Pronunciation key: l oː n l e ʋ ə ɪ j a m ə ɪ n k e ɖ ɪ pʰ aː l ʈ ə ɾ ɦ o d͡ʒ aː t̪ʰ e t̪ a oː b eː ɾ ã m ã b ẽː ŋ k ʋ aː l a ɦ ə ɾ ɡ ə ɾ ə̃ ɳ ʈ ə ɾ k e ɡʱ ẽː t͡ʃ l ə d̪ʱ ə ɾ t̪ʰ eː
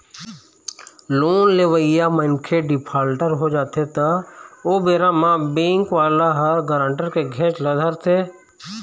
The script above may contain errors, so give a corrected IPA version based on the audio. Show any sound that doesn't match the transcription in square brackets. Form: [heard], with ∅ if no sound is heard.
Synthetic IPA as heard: l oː n l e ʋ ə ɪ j a m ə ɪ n [kʰ] e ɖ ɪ pʰ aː l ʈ ə ɾ ɦ o d͡ʒ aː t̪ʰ e t̪ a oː b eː ɾ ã m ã b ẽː ŋ k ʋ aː l a ɦ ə ɾ ɡ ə ɾ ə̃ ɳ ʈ ə ɾ k e ɡʱ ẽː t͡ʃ l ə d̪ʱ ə ɾ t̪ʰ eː